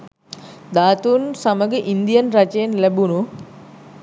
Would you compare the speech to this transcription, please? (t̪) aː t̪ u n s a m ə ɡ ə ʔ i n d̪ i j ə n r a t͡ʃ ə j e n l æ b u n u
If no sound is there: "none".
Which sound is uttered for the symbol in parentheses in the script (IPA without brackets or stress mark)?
d̪